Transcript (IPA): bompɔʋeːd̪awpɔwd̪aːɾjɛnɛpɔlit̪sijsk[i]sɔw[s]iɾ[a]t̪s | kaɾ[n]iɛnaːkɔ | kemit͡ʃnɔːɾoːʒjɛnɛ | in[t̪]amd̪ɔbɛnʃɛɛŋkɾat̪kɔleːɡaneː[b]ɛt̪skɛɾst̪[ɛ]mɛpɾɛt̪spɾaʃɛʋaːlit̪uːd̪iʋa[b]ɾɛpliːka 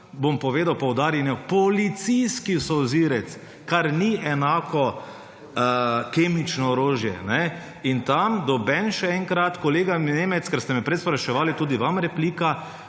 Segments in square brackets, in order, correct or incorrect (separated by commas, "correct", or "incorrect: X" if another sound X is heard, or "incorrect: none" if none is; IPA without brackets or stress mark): correct, incorrect: z, incorrect: ɛ, correct, correct, incorrect: m, correct, incorrect: m